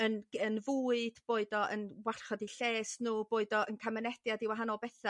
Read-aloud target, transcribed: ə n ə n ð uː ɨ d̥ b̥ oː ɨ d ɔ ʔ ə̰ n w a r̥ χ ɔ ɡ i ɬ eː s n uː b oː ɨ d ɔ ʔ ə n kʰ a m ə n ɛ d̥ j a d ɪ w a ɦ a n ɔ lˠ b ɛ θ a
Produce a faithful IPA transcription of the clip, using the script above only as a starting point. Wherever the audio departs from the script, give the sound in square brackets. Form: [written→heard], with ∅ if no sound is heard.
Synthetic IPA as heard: ə n ə n [ð→v] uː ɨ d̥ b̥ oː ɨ d ɔ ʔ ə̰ n w a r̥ χ ɔ [ɡ→d] i ɬ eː s n uː b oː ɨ d ɔ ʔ ə n kʰ a m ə n ɛ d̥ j a d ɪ w a ɦ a n ɔ lˠ b ɛ θ a